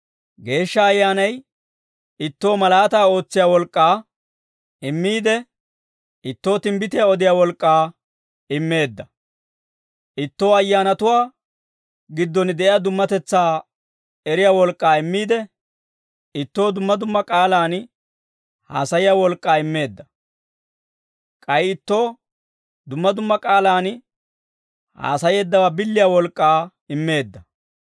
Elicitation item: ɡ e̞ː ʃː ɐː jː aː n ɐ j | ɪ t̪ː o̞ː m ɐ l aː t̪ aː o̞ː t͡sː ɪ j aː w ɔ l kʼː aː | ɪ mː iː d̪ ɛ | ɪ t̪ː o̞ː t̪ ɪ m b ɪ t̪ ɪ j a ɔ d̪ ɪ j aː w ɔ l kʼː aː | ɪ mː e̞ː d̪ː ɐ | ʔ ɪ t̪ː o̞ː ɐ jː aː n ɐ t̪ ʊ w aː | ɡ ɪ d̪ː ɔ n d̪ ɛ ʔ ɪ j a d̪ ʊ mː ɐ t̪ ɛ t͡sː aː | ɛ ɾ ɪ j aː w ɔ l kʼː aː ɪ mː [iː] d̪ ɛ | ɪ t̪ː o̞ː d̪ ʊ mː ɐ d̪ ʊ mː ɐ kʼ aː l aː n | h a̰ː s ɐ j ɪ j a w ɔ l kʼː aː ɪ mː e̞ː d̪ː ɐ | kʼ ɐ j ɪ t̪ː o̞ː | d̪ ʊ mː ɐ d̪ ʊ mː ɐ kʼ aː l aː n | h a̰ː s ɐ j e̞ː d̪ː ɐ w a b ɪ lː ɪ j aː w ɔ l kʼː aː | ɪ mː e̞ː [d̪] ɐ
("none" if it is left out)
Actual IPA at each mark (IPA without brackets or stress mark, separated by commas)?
iː, d̪ː